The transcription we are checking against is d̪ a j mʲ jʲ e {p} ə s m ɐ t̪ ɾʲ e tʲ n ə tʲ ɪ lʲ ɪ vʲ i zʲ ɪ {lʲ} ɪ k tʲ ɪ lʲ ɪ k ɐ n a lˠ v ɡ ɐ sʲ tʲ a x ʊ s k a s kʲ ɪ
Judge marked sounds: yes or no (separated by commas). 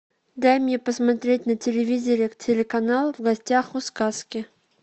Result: yes, no